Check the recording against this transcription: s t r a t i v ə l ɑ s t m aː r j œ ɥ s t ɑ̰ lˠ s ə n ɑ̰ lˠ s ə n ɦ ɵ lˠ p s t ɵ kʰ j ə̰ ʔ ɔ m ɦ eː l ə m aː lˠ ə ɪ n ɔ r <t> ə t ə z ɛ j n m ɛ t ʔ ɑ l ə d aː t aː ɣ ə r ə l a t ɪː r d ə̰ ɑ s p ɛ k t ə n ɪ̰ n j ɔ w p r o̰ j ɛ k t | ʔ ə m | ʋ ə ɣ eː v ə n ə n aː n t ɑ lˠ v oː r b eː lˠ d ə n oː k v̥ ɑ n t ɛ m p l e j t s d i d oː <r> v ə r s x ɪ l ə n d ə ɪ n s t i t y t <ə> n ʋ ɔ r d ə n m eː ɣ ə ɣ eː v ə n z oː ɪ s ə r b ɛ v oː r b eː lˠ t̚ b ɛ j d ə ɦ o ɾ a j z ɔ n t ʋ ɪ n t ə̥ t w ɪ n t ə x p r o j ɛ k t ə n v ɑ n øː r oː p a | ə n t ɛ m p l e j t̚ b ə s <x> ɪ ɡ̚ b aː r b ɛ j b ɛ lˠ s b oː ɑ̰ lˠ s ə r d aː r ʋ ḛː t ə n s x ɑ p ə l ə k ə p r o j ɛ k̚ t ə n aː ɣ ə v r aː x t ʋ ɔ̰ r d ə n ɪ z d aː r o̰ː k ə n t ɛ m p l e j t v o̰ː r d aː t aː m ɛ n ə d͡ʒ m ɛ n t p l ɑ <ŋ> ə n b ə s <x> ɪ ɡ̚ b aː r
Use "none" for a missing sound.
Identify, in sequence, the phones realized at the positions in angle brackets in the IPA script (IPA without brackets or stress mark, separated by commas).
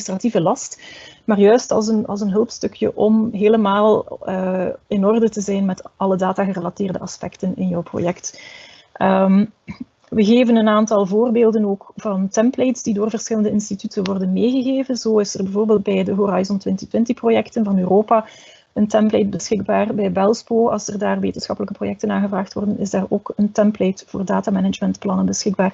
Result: d, r, ə, x, n, x